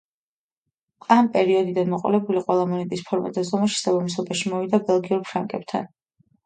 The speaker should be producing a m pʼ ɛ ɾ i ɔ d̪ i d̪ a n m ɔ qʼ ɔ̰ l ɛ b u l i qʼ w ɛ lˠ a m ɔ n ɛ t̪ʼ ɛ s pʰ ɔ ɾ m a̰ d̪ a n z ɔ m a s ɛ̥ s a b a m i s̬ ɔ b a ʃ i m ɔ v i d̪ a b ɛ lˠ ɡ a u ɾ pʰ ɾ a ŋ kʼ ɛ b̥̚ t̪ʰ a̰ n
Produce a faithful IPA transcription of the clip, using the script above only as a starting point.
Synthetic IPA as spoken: a m pʼ ɛ ɾ i ɔ d̪ i d̪ a n m ɔ qʼ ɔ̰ l ɛ b u l i qʼ w ɛ lˠ a m ɔ n ɛ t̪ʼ i s pʰ ɔ ɾ m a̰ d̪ a z ɔ m a ʃ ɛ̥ s a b a m i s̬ ɔ b a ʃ i m ɔ v i d̪ a b ɛ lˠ ɡ i u ɾ pʰ ɾ a ŋ kʼ ɛ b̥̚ t̪ʰ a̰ n